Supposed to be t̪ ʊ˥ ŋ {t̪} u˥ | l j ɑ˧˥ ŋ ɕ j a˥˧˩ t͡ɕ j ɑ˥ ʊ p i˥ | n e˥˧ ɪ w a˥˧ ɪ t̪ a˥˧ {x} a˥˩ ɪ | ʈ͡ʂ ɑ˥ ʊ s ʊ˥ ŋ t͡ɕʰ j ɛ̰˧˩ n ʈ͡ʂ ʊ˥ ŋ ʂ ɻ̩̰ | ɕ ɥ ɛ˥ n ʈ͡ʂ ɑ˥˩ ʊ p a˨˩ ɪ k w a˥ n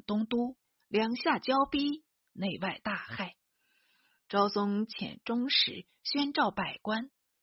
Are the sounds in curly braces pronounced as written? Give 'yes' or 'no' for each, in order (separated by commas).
yes, yes